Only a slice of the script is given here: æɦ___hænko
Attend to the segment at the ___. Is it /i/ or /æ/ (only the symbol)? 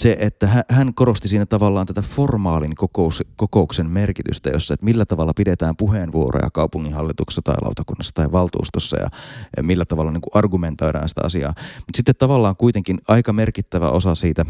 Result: æ